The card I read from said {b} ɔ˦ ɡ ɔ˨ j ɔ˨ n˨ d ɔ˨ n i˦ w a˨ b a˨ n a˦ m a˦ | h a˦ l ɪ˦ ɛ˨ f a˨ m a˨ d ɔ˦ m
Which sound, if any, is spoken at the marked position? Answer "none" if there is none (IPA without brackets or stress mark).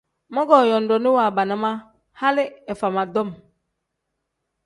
m